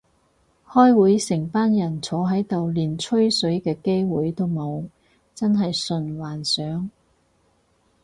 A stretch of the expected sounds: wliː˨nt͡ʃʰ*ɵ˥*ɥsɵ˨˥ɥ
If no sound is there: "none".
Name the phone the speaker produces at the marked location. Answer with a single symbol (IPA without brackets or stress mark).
ɵ˥